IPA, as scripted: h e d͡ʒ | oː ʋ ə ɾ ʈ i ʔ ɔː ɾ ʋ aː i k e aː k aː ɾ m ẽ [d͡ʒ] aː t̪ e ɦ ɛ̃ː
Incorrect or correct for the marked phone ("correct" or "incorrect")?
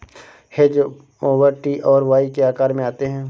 incorrect